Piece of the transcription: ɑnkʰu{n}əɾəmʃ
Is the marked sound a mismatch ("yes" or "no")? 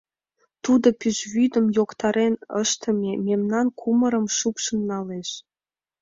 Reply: yes